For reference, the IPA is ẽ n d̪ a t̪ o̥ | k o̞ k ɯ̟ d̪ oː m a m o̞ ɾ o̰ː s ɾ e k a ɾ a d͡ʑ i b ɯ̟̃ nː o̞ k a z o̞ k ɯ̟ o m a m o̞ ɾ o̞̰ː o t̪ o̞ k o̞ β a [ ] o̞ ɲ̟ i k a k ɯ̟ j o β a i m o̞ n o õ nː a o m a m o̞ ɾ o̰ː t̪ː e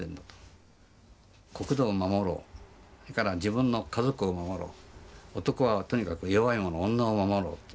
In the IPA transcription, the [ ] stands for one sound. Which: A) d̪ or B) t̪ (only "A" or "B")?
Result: B